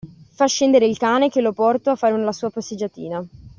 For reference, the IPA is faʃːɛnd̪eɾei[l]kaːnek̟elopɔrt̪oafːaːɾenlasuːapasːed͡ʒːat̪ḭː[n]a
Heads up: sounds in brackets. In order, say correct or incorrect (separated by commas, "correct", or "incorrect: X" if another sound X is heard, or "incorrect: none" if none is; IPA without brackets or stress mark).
correct, correct